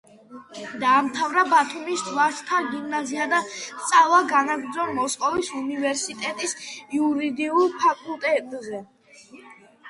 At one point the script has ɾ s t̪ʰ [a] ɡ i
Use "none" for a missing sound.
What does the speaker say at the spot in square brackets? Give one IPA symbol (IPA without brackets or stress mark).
a